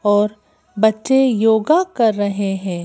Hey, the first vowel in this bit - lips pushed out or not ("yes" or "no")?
yes